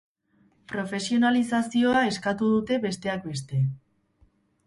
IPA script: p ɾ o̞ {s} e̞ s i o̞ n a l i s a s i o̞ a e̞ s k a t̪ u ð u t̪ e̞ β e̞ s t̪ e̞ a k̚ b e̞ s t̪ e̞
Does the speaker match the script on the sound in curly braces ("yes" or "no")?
no